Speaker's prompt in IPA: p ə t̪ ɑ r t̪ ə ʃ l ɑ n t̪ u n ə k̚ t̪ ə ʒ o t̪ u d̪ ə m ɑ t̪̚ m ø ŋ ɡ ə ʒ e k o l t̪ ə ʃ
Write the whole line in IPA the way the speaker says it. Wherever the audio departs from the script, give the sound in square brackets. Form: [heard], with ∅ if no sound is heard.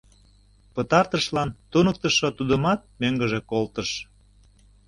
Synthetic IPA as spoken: p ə t̪ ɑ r t̪ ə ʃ l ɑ n t̪ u n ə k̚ t̪ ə [ʃ] o t̪ u d̪ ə m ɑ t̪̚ m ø ŋ ɡ ə ʒ e k o l t̪ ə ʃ